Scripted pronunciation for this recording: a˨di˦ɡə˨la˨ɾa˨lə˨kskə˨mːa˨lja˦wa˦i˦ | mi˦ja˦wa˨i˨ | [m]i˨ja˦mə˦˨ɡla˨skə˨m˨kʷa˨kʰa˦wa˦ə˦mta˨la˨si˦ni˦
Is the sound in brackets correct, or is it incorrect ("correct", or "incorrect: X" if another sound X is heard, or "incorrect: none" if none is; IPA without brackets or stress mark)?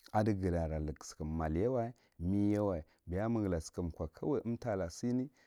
incorrect: b